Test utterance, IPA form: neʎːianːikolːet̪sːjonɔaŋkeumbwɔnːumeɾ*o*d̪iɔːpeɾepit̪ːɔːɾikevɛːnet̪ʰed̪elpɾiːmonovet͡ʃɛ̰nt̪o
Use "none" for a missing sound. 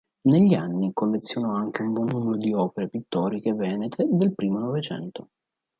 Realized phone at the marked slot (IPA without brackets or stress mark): o